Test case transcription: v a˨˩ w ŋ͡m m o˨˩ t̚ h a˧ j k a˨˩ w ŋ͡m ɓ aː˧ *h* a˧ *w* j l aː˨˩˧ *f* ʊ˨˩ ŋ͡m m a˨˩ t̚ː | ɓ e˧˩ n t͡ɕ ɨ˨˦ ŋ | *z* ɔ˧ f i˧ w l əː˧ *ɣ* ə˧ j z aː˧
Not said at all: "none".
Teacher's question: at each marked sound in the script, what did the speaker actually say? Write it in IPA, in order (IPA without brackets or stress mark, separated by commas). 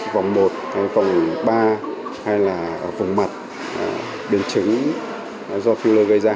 h, none, v, z, ɣ